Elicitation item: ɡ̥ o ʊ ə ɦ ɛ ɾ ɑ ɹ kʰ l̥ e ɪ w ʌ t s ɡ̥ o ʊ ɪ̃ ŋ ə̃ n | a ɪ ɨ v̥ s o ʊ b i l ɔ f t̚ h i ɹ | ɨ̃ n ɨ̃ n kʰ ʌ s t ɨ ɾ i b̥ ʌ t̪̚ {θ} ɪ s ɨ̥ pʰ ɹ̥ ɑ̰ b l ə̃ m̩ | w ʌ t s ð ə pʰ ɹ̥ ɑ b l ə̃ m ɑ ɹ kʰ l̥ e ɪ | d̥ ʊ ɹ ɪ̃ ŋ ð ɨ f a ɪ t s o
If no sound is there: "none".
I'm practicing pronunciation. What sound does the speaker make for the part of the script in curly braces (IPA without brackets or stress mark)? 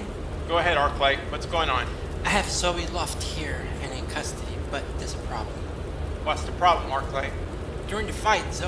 ð